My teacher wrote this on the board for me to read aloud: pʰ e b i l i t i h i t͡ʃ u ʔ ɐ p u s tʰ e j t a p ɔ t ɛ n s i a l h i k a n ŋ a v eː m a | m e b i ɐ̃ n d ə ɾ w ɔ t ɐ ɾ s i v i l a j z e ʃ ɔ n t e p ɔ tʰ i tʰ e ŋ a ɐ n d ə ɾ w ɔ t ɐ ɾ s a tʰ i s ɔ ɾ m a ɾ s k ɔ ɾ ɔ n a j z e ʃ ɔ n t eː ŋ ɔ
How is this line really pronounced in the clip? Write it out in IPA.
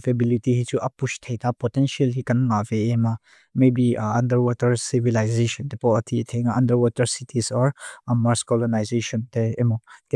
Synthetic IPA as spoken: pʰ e b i l i t i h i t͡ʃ u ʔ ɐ p u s tʰ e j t a p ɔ t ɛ n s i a l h i k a n ŋ a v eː m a | m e b i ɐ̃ n d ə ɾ w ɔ t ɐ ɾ s i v i l a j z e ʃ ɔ n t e p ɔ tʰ i tʰ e ŋ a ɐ n d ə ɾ w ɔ t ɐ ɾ s i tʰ i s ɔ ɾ m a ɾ s k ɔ l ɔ n a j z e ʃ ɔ n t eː m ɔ

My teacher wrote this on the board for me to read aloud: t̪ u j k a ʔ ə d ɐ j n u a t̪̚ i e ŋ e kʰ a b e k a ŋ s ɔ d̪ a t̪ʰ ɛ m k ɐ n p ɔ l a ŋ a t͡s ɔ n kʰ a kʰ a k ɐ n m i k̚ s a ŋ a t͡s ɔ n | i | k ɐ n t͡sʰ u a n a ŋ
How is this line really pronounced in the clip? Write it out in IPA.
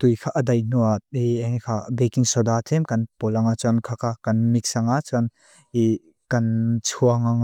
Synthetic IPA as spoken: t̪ u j kʰ a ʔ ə d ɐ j n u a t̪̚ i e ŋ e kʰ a b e k i ŋ s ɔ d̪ a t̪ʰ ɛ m k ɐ n p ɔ l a ŋ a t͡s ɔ n kʰ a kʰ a k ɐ n m i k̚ s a ŋ a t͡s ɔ n | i | k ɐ n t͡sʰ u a ŋ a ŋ

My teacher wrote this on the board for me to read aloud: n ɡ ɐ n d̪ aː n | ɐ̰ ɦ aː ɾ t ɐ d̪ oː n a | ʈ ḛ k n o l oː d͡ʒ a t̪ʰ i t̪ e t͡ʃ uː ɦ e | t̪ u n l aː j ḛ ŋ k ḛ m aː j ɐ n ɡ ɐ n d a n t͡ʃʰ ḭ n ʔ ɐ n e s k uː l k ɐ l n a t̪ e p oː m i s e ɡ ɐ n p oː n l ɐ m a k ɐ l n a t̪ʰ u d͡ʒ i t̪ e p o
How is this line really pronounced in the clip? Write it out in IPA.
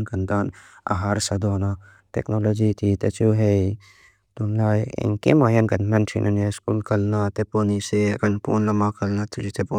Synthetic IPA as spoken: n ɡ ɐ n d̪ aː n | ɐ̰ ɦ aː ɾ s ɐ d̪ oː n a | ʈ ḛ k n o l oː d͡ʒ i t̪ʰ i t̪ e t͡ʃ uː ɦ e | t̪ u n l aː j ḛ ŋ k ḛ m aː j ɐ n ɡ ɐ n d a n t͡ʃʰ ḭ n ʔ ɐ n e s k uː l k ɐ l n a t̪ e p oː n i s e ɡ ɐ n p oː n l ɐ m a k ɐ l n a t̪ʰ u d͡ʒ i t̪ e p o

